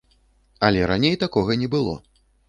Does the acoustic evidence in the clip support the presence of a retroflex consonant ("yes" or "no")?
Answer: no